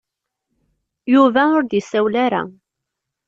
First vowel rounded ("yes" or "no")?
yes